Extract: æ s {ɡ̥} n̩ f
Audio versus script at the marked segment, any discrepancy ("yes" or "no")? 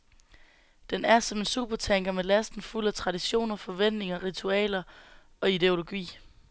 yes